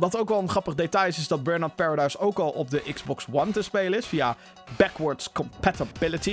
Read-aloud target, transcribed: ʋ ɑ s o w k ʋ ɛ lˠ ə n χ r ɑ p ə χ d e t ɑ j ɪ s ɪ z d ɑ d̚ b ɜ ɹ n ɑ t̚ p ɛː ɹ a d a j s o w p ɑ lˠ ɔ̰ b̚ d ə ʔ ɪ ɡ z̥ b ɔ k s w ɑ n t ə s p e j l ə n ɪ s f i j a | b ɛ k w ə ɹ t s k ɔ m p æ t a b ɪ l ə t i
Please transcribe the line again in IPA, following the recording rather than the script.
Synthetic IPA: ʋ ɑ t o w k ʋ ɛ lˠ ə n χ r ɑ p ə χ d e t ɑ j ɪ s ɪ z d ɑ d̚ b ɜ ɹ n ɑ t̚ p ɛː ɹ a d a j s o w k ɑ lˠ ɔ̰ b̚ d ə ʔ ɪ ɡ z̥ b ɔ k s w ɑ n t ə s p e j l ə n ɪ s f i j a | b ɛ k w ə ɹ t s k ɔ m p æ t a b ɪ l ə t i